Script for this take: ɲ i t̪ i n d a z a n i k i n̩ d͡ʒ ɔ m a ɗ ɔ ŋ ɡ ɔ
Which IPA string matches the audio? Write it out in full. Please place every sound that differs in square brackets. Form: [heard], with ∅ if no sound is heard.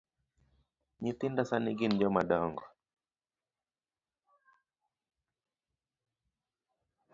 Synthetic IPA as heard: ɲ i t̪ i n d a [s] a n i [ɡ] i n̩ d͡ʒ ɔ m a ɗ ɔ ŋ ɡ ɔ